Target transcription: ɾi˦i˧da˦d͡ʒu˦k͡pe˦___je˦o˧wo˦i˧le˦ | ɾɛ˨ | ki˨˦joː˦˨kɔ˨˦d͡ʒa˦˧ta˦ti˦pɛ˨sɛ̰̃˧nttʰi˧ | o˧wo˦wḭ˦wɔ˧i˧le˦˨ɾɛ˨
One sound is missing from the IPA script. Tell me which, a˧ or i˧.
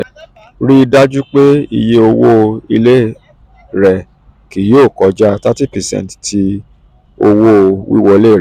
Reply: i˧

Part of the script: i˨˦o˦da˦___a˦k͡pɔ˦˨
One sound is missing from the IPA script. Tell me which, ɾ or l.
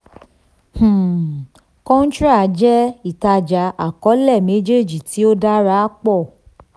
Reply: ɾ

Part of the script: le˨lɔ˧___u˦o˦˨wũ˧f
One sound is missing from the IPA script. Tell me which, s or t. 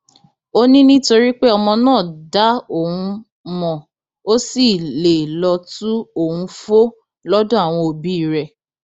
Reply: t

